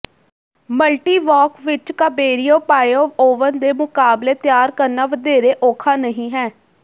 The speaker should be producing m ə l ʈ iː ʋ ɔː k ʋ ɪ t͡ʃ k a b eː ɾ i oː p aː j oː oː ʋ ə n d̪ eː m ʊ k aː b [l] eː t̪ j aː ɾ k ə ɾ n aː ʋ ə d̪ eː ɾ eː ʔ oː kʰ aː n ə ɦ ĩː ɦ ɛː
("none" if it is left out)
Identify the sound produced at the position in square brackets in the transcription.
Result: l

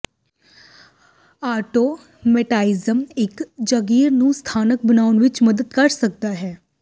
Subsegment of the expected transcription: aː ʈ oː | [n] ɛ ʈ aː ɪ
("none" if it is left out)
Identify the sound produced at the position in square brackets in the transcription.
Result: m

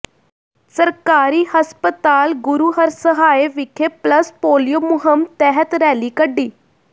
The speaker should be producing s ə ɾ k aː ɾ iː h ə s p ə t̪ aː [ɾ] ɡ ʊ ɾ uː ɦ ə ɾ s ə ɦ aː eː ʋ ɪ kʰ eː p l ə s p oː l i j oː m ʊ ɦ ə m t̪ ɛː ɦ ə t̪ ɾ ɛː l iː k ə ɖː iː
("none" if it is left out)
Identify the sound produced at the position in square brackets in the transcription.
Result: l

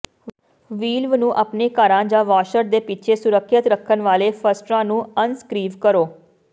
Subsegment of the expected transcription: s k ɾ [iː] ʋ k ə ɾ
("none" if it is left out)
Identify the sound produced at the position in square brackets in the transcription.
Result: iː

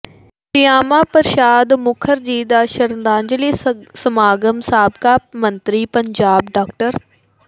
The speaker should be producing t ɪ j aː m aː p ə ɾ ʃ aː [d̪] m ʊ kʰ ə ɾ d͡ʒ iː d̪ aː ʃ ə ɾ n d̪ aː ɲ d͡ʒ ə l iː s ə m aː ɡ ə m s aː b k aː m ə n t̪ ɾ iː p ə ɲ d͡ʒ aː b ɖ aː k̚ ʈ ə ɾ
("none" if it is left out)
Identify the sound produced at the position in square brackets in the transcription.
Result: d̪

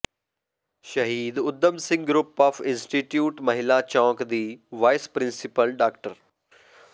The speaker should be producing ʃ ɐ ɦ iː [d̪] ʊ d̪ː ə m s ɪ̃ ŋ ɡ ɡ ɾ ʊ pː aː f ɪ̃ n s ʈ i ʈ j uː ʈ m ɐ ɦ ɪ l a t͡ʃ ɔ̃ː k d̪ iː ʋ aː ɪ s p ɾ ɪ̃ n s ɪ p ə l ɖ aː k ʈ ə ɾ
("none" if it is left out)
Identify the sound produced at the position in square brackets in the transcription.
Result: d̪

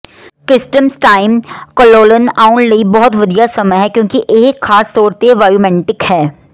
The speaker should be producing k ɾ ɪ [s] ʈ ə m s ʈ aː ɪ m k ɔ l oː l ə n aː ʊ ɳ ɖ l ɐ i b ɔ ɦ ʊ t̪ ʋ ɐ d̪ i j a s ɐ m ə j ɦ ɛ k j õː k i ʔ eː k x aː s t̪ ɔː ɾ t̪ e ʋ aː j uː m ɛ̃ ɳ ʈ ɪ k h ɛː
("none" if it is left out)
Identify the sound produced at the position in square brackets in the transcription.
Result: s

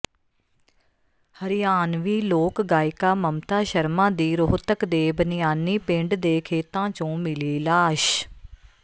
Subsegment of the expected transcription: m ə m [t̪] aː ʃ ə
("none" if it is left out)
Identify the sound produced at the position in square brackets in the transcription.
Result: t̪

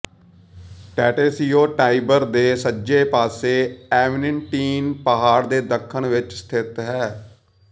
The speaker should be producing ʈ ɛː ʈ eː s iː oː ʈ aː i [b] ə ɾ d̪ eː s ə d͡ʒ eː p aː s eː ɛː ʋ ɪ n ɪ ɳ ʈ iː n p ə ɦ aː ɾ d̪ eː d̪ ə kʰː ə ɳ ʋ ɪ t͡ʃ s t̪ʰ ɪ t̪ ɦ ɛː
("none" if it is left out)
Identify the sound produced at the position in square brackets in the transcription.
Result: b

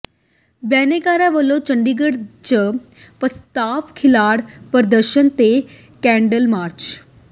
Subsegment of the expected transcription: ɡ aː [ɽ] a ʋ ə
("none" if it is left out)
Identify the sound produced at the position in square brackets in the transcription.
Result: ɾ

